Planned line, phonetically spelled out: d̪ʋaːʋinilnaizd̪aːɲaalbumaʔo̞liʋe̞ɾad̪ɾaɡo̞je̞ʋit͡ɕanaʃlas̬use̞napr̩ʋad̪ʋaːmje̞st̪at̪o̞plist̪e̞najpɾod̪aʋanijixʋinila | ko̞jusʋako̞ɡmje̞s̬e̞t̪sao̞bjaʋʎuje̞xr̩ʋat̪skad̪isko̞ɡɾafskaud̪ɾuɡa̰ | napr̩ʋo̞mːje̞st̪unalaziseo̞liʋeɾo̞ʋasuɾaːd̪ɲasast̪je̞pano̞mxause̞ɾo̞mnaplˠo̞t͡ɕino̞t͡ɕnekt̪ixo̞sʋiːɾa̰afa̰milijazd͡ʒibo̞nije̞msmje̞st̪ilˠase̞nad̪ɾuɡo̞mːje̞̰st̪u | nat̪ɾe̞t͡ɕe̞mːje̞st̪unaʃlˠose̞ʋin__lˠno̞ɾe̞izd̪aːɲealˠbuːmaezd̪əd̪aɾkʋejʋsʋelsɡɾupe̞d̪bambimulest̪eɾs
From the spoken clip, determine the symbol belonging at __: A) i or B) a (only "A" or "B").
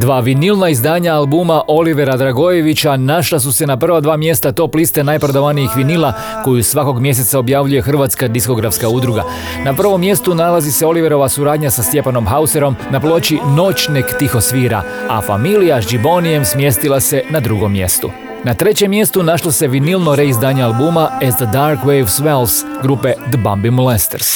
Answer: A